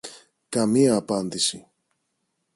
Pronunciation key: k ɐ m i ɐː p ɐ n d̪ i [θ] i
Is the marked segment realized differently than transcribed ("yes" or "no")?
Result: yes